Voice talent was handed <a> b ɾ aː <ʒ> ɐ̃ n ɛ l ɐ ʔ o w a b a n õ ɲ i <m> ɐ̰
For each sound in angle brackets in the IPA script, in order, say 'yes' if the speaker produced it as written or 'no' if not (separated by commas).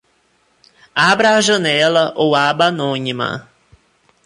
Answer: yes, yes, yes